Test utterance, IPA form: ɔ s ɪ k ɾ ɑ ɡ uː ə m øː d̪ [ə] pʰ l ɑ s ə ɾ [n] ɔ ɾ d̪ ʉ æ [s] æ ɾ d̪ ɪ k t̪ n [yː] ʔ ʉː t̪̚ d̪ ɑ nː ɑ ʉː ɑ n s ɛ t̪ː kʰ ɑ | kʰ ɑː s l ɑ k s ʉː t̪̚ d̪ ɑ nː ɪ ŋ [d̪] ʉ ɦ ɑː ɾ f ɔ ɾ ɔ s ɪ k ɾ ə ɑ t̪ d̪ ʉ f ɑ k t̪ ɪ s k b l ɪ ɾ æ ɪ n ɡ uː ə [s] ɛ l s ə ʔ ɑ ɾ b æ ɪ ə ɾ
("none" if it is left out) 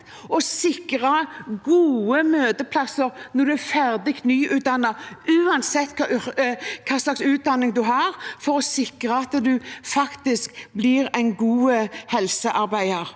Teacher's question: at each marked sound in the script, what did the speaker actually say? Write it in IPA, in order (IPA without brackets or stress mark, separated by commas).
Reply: ə, n, f, yː, d̪, h